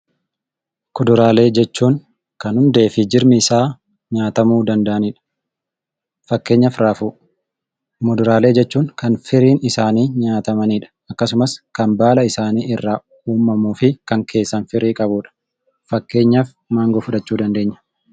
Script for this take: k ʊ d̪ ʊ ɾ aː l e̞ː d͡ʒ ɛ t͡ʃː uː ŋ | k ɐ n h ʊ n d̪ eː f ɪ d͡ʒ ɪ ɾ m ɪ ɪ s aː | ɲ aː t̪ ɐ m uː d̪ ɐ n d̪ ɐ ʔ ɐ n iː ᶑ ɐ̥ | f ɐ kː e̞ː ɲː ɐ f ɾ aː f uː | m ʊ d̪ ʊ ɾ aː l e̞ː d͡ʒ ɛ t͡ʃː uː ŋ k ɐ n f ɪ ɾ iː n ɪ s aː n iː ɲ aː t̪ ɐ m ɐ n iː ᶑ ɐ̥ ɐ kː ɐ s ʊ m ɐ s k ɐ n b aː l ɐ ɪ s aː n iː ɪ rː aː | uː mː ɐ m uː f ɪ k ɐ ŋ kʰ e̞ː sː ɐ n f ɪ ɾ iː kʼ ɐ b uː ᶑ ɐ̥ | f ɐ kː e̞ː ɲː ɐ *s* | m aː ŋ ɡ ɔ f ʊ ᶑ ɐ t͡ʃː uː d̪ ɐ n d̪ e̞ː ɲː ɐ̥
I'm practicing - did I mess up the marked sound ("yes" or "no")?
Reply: yes